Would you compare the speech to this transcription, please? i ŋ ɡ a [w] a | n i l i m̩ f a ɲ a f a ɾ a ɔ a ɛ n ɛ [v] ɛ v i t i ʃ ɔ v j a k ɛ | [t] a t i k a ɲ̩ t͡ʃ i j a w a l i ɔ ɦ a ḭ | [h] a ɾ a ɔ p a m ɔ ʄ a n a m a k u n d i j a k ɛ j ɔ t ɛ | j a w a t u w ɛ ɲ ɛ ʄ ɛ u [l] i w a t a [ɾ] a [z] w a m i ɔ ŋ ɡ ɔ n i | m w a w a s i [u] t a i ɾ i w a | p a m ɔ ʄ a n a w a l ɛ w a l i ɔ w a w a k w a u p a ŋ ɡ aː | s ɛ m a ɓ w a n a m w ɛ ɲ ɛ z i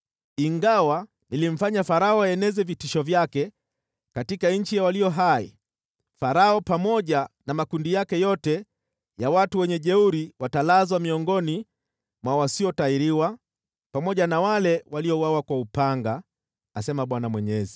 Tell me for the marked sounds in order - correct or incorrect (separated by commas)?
correct, incorrect, incorrect, incorrect, incorrect, incorrect, correct, incorrect